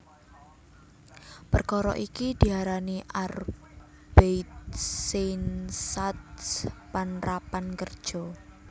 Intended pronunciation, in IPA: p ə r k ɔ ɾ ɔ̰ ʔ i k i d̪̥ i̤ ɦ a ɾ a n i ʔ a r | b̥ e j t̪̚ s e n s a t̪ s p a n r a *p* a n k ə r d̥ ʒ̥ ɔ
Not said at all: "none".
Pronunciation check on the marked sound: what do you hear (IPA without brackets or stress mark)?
p